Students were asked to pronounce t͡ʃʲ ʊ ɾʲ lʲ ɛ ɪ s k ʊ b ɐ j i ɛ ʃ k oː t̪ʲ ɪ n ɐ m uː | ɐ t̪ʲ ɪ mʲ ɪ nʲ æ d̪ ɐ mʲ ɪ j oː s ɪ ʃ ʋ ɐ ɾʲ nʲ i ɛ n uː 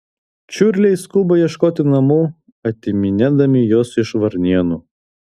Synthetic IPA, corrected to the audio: t͡ʃʲ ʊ ɾʲ lʲ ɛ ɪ s k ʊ b ɐ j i ɛ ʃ k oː t̪ʲ ɪ n ɐ m uː | ɐ t̪ʲ ɪ mʲ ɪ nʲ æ d̪ ɐ mʲ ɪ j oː s ɪ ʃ ʋ ɐ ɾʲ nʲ i ɛ n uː